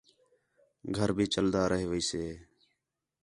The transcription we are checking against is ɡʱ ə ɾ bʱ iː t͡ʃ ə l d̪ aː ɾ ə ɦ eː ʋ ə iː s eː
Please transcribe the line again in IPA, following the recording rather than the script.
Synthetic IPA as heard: ɡʱ ə ɾ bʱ iː t͡ʃ ə l d̪ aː ɾ ə ɦ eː ʋ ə iː s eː